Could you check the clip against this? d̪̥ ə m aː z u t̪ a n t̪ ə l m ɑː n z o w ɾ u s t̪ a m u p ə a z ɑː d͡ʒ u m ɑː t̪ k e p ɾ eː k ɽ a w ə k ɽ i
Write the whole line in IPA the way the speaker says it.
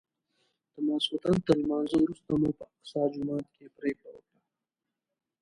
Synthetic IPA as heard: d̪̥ ə m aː s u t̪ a n t̪ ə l m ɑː n z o w ɾ u s t̪ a m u p ə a s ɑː d͡ʒ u m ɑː t̪ k e p ɾ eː k ɽ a w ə k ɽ a